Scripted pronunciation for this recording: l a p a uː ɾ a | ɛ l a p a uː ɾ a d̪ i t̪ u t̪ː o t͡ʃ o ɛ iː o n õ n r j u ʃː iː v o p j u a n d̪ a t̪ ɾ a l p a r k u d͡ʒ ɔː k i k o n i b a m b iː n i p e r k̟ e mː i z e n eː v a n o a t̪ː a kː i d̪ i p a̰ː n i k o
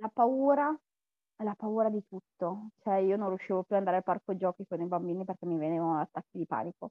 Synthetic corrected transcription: l a p a uː ɾ a | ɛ l a p a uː ɾ a d̪ i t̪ u t̪ː o t͡ʃ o ɛ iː o n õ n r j u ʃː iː v o p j u a n d̪ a ɾ a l p a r k o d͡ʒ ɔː k i k o n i b a m b iː n i p e r k̟ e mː i v e n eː v a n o a t̪ː a kː i d̪ i p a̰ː n i k o